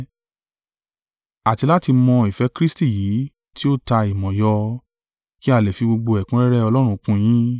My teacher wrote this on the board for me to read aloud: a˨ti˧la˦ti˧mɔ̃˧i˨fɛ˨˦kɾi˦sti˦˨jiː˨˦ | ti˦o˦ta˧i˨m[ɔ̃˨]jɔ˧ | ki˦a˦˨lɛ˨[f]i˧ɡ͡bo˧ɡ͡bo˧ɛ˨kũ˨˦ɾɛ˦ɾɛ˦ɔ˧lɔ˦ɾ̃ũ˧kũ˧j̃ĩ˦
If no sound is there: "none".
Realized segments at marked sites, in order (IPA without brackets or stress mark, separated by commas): ɔ̃˨, f